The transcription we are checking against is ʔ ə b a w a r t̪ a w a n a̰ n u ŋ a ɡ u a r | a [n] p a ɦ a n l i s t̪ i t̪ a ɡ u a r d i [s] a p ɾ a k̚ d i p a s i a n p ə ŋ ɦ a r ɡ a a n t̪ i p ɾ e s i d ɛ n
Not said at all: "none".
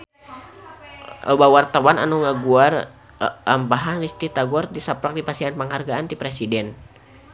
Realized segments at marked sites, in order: m, s

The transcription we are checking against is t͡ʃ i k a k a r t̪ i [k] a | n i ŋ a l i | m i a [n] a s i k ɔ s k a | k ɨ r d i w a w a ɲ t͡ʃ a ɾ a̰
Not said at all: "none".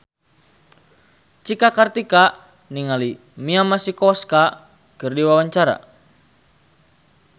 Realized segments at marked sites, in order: k, m

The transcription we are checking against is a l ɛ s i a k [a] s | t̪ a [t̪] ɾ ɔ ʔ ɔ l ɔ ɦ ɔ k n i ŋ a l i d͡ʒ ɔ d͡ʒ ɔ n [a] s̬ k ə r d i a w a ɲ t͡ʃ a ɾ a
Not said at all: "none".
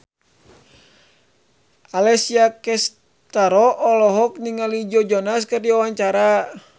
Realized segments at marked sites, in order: ɛ, none, a

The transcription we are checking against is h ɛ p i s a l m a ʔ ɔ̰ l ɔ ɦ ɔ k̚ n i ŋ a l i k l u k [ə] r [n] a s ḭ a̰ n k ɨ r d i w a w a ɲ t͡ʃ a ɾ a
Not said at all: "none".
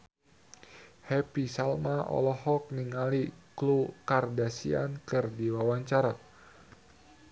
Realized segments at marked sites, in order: a, d

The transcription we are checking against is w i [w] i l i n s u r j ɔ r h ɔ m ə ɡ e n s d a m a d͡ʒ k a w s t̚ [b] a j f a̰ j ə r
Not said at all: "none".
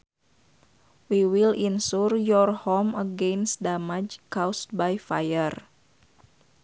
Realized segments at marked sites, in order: w, b

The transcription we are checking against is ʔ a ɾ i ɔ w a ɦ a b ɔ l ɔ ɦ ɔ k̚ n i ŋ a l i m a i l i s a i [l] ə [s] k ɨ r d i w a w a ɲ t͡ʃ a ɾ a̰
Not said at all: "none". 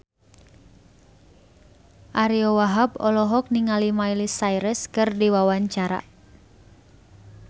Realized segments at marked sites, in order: ɾ, s

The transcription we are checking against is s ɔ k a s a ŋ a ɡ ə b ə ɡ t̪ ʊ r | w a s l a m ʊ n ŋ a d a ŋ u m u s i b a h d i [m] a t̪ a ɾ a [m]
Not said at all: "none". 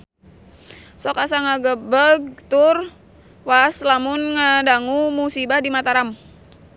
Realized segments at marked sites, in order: m, m

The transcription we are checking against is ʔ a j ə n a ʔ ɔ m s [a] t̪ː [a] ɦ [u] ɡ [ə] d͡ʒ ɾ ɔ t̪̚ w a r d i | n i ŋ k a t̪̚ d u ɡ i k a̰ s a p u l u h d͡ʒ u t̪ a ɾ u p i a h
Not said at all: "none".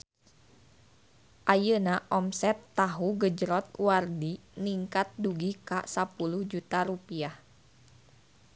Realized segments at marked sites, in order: ɛ, a, u, ə

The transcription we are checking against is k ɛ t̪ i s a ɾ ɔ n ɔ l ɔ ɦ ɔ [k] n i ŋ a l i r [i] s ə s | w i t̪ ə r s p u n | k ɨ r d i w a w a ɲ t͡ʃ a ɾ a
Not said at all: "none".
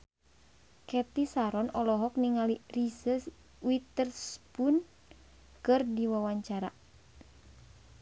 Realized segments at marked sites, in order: k, i

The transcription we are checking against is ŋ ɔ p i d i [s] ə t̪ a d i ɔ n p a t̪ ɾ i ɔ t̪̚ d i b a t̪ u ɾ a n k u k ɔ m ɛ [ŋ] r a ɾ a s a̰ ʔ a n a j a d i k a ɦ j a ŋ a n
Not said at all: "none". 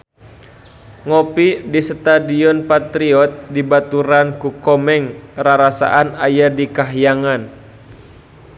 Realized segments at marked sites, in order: s, ŋ

